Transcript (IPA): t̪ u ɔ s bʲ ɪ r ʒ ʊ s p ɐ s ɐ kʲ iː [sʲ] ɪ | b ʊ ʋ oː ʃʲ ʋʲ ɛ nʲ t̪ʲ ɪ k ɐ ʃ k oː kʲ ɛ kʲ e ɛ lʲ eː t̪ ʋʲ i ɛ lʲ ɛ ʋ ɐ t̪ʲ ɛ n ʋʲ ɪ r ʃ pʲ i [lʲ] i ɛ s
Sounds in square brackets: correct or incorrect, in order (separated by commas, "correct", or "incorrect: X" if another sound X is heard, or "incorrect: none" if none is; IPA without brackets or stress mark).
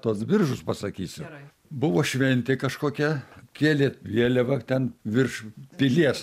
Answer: correct, correct